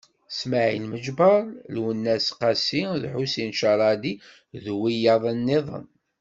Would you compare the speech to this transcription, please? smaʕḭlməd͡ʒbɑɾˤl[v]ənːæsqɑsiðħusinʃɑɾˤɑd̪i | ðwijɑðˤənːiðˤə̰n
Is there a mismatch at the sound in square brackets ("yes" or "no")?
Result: yes